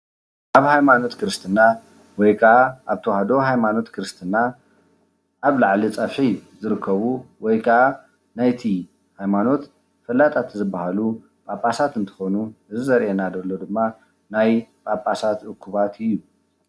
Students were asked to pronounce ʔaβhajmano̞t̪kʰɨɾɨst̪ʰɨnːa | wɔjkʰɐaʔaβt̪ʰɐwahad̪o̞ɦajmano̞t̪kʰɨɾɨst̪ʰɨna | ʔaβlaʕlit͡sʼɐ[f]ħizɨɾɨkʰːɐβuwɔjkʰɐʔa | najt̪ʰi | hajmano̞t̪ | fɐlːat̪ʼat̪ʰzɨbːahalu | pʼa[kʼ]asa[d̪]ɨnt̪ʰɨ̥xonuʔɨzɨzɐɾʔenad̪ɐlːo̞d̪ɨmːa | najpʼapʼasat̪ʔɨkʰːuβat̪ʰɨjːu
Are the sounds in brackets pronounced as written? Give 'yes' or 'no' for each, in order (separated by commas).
yes, no, no